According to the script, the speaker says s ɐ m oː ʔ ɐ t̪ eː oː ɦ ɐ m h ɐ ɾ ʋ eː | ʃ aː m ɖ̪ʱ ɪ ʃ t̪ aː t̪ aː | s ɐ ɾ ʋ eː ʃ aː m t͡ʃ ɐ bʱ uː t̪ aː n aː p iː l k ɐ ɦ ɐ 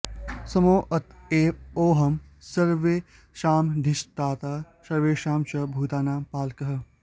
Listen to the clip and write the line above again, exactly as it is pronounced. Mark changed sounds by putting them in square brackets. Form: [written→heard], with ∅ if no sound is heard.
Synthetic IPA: s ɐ m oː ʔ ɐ t̪ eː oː ɦ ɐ m [h→s] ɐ ɾ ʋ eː | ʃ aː m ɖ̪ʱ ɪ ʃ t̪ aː t̪ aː | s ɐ ɾ ʋ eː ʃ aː m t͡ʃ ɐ bʱ uː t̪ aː n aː p [iː→aː] l k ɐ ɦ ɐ